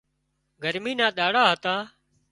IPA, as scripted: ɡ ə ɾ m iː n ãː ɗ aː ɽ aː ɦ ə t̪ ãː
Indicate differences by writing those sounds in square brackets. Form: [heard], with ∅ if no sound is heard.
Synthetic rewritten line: ɡ ə ɾ m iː n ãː ɗ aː ɽ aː ɦ ə t̪ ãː